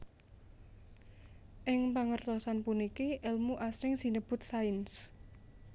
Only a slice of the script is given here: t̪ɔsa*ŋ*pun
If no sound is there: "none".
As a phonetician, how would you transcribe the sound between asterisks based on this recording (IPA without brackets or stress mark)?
n